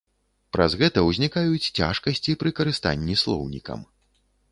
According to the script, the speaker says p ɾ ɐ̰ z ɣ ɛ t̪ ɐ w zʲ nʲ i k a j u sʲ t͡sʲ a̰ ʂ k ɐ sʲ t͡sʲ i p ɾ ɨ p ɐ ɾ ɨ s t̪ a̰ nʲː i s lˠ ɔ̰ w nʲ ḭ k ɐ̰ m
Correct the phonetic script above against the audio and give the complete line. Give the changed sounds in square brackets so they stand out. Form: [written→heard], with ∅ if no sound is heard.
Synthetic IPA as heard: p ɾ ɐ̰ z ɣ ɛ t̪ ɐ w zʲ nʲ i k a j u [sʲ→t͡sʲ] t͡sʲ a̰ ʂ k ɐ sʲ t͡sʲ i p ɾ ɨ [p→k] ɐ ɾ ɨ s t̪ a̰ nʲː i s lˠ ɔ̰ w nʲ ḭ k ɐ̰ m